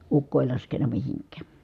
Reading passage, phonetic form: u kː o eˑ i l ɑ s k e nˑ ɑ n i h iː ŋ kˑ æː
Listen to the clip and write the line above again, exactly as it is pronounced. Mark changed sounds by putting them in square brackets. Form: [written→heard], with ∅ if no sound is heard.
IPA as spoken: u kː o eˑ i l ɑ s k e nˑ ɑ [n→m] i h [iː→i] ŋ kˑ æː